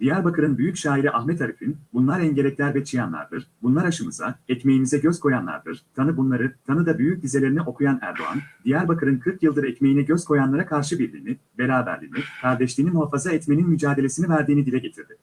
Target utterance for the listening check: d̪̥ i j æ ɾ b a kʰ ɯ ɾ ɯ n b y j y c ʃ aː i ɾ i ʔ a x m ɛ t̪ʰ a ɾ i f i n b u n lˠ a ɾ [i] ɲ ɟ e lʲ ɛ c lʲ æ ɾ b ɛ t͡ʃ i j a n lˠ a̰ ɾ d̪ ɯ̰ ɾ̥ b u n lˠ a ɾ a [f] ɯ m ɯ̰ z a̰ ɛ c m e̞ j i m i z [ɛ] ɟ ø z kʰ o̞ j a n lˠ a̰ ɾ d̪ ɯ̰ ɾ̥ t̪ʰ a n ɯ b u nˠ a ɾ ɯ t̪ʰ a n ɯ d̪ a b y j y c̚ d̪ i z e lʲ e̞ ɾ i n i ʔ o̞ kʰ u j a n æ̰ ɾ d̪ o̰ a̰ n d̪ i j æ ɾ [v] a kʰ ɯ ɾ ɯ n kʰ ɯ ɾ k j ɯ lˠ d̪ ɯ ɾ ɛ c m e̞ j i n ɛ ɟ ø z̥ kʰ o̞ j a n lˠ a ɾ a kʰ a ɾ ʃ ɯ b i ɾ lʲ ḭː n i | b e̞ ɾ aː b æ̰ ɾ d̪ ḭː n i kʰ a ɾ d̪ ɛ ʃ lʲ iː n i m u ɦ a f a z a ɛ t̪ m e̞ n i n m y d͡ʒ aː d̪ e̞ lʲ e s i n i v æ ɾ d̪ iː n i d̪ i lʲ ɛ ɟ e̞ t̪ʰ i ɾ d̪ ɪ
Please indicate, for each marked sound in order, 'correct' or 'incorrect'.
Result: incorrect, incorrect, correct, incorrect

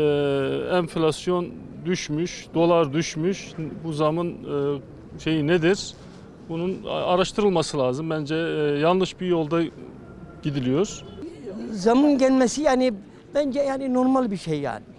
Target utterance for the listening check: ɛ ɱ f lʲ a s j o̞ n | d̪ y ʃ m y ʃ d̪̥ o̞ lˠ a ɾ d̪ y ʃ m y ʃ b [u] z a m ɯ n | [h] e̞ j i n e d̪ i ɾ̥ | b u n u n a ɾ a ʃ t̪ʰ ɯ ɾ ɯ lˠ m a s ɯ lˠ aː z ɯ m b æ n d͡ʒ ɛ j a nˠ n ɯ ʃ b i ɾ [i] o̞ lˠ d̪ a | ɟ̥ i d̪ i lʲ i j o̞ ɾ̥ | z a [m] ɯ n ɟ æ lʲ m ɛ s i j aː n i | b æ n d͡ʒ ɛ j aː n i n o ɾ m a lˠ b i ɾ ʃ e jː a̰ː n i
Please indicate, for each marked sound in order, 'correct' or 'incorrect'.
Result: correct, incorrect, incorrect, correct

